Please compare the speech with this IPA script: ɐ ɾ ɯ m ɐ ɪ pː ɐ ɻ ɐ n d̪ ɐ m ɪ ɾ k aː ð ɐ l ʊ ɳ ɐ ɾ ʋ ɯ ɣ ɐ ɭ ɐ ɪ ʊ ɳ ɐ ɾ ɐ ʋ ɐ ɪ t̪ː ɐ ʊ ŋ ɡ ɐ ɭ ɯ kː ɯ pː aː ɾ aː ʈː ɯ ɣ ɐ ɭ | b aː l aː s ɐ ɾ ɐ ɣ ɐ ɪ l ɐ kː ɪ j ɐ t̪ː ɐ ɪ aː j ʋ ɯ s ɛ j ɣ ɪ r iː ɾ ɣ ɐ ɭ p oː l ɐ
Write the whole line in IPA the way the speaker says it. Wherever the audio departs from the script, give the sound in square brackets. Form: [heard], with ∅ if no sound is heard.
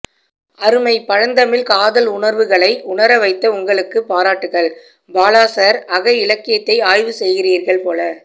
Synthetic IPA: ɐ ɾ ɯ m ɐ ɪ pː ɐ ɻ ɐ n d̪ ɐ m ɪ [l] k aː ð ɐ l ʊ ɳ ɐ ɾ ʋ ɯ ɣ ɐ ɭ ɐ ɪ ʊ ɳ ɐ ɾ ɐ ʋ ɐ ɪ t̪ː ɐ ʊ ŋ ɡ ɐ ɭ ɯ kː ɯ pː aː ɾ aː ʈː ɯ ɣ ɐ ɭ | b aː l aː s ɐ ɾ ɐ ɣ ɐ ɪ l ɐ kː ɪ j ɐ t̪ː ɐ ɪ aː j ʋ ɯ s ɛ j ɣ ɪ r iː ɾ ɣ ɐ ɭ p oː l ɐ